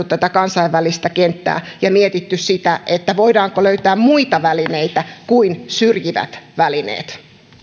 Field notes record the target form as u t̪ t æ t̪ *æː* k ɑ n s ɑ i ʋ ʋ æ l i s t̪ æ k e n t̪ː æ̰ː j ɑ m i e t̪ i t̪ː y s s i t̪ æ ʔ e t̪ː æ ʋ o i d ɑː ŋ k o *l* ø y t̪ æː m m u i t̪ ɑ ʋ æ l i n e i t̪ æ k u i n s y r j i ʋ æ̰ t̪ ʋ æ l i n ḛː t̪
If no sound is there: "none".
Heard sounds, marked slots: æ, l

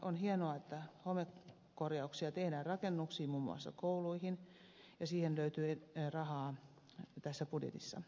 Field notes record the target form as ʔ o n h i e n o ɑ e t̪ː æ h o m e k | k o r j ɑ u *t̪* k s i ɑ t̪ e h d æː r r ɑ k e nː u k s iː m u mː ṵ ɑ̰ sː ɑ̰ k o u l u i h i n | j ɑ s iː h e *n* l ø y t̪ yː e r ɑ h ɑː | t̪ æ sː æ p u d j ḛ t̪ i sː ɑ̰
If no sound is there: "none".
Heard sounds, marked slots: none, n

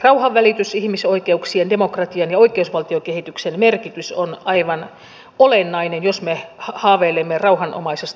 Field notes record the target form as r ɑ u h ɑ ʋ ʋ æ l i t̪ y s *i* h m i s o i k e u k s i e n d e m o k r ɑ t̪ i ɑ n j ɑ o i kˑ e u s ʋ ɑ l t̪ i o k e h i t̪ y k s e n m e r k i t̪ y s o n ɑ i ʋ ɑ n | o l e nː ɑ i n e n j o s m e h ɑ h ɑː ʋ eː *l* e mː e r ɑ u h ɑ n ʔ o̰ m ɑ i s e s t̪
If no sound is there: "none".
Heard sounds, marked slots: i, l

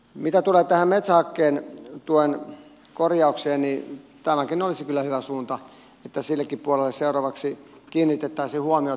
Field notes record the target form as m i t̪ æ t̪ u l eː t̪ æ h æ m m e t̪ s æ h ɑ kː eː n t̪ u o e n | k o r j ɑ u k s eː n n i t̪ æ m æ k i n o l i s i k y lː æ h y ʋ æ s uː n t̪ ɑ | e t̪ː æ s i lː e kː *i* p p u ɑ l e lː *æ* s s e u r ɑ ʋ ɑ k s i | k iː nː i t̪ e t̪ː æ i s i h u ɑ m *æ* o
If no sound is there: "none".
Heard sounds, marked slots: i, e, i

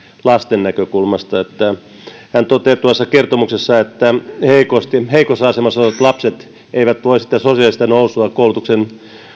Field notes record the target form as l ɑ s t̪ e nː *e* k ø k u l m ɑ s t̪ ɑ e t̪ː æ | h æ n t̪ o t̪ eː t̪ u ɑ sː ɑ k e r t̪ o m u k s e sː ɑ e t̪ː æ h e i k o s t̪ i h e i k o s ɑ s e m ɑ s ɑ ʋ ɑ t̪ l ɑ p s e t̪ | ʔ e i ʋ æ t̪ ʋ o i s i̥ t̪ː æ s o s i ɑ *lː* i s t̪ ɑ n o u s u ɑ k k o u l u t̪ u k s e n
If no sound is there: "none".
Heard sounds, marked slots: æ, l

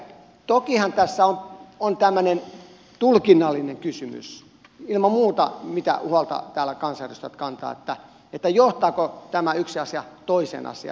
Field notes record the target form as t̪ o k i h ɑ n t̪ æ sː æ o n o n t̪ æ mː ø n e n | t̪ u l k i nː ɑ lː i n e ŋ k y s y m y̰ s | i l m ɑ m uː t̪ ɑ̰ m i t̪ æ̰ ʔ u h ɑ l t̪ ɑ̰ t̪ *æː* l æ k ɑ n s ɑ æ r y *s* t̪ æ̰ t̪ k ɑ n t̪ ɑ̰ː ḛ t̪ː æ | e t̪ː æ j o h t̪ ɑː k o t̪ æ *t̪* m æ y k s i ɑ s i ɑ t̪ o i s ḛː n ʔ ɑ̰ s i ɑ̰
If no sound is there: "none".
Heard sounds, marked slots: æː, s, none

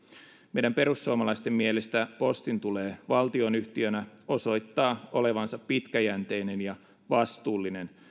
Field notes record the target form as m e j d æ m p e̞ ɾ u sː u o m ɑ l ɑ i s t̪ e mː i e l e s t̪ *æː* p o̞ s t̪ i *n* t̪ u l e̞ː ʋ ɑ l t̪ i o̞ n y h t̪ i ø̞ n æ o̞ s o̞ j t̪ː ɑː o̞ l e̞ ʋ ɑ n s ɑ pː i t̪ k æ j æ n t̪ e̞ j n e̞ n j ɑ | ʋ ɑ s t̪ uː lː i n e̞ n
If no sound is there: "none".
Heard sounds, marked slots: æ, n

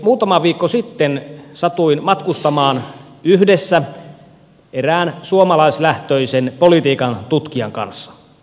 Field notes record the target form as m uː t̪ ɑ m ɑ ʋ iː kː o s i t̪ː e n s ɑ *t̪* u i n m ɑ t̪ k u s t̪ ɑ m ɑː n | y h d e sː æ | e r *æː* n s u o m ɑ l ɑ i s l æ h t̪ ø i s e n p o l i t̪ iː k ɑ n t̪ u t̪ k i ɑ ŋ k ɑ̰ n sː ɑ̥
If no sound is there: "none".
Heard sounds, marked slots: t̪, æː

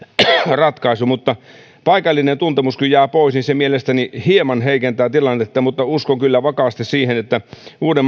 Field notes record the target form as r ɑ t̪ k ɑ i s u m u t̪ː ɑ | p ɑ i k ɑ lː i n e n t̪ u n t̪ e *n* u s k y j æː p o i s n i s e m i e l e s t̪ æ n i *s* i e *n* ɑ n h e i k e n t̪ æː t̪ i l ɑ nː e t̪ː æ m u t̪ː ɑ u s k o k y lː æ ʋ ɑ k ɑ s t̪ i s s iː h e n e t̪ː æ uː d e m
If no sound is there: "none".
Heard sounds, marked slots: m, h, m

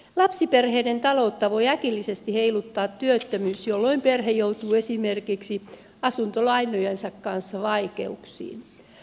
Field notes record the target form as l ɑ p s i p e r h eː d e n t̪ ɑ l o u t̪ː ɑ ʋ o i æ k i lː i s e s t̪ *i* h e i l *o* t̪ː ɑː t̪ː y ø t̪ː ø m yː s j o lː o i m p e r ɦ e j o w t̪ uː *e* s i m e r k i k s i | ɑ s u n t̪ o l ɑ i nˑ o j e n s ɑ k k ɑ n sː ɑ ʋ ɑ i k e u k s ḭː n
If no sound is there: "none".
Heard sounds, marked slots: i, u, e

